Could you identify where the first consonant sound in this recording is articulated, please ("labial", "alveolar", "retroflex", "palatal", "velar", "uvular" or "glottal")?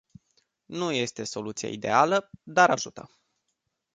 alveolar